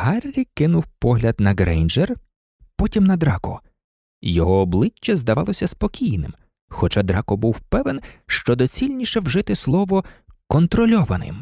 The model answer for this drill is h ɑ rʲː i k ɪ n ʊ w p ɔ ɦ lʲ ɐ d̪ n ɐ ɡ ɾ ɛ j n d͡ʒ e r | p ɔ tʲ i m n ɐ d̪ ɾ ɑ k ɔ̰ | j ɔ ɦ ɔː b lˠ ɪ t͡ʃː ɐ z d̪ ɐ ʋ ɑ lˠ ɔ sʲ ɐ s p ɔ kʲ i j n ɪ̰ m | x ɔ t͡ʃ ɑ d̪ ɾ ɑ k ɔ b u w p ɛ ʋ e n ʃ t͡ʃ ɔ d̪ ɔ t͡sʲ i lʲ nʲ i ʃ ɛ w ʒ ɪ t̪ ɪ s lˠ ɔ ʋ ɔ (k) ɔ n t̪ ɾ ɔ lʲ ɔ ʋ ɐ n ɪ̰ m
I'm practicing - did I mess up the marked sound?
no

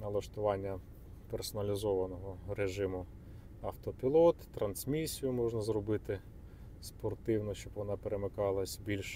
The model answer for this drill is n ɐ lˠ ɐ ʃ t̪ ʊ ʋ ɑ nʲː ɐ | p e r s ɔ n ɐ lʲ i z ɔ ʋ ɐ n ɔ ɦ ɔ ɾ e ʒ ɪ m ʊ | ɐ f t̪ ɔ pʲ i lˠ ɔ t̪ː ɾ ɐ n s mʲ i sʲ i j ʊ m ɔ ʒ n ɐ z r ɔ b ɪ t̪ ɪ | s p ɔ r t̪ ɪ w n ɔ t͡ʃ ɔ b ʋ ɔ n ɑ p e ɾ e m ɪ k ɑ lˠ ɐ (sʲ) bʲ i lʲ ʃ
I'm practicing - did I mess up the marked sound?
no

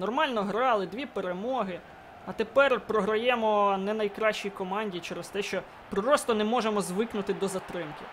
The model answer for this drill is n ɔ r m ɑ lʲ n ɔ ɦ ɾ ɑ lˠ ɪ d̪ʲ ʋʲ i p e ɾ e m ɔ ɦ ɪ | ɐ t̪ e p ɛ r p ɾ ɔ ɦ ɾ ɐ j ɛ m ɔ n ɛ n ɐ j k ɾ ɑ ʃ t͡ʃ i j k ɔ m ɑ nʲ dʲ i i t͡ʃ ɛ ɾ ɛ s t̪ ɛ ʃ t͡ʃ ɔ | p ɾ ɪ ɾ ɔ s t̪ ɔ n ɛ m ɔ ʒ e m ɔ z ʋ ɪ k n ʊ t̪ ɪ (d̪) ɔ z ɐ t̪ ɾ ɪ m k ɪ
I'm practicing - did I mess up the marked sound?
no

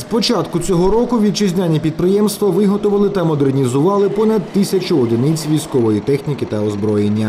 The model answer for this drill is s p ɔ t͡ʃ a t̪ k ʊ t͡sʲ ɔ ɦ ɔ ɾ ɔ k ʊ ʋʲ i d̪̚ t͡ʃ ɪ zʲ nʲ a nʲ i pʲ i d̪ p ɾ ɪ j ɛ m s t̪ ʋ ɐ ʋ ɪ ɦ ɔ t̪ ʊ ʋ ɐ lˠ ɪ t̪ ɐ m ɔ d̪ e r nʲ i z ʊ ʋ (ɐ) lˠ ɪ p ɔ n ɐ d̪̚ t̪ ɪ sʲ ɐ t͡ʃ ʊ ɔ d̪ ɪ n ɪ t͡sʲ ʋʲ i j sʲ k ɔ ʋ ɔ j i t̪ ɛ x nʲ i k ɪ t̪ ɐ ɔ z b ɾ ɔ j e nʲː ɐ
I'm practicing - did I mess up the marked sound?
yes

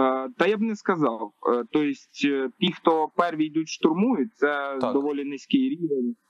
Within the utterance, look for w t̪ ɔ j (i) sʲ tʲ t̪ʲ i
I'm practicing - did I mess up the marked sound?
yes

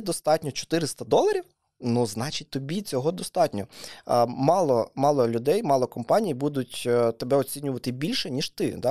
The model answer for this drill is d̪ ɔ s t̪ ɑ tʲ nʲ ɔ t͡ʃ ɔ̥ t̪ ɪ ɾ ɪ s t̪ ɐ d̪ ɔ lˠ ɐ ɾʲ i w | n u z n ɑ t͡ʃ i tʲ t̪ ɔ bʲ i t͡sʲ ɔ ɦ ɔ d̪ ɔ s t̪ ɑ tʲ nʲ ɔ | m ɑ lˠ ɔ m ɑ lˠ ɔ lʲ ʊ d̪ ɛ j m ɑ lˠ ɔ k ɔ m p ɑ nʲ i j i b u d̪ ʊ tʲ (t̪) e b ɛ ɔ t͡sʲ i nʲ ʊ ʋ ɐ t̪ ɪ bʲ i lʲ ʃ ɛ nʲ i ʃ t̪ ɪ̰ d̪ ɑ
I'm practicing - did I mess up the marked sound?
no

